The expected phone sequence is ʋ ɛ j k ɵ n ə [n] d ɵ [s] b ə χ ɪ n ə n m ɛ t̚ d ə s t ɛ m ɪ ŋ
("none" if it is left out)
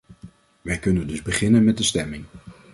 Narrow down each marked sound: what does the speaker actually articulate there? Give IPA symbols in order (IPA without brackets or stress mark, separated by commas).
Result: n, z